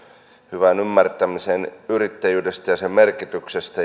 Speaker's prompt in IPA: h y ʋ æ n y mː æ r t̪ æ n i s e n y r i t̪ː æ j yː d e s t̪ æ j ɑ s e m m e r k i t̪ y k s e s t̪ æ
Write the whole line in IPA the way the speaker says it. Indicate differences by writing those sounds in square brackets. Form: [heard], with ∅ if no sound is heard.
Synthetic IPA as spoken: h y ʋ æ n y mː æ r t̪ æ [m] i s e n y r i t̪ː æ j yː d e s t̪ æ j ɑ s e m m e r k i t̪ y k s e s t̪ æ